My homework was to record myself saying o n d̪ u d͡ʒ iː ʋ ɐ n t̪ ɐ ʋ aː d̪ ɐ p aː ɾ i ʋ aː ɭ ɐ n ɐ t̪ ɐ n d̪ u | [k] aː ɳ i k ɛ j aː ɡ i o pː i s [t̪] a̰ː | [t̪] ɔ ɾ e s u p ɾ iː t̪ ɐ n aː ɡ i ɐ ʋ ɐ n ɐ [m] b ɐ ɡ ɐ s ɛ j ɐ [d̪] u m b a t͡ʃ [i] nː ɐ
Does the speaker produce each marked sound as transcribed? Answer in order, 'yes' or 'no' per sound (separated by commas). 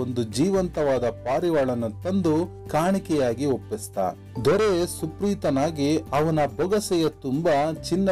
yes, yes, no, no, no, yes